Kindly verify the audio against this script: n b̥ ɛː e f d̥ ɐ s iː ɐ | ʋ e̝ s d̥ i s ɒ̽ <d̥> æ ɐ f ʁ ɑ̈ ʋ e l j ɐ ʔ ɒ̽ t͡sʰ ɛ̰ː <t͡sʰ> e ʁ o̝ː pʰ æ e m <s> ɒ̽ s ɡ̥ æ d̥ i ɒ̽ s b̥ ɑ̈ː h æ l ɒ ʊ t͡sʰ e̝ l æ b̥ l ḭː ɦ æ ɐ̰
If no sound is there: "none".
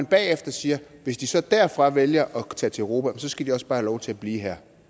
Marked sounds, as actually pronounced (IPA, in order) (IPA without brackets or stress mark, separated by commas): d̥, t͡sʰ, s